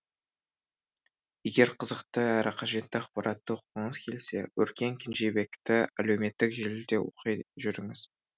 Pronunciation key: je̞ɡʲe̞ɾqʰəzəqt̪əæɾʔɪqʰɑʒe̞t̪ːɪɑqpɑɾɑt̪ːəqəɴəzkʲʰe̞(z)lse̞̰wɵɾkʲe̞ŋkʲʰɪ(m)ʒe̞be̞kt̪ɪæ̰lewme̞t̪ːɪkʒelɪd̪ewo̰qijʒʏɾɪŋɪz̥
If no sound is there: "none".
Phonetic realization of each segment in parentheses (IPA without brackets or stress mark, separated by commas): none, n